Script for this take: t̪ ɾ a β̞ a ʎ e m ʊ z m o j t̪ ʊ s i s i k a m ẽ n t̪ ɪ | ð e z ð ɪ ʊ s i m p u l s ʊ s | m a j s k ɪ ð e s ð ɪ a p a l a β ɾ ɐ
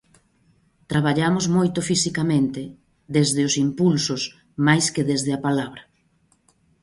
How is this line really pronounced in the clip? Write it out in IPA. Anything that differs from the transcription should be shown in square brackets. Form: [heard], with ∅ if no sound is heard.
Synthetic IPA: t̪ ɾ a β̞ a ʎ [a] m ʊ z m o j t̪ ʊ [f] i s i k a m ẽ n t̪ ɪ | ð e z ð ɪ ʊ s i m p u l s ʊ s | m a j s k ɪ ð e [z] ð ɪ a p a l a β ɾ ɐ